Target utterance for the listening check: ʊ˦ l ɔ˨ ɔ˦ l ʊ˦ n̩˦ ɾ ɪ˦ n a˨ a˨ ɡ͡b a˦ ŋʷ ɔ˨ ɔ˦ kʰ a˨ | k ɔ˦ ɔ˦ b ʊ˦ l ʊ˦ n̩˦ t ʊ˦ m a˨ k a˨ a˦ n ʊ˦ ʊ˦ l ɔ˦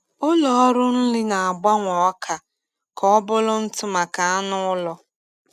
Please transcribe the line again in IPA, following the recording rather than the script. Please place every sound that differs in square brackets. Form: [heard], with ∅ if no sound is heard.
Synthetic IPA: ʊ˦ l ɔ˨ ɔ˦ [ɾ] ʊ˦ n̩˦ [l] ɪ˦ n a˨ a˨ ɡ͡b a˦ ŋʷ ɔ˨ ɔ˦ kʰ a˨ | k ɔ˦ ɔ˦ b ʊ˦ l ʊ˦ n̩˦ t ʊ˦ m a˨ k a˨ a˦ n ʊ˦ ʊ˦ l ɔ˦